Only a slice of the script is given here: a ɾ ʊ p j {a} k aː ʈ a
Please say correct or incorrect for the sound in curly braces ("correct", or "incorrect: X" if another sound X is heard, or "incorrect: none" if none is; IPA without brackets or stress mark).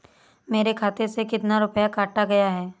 correct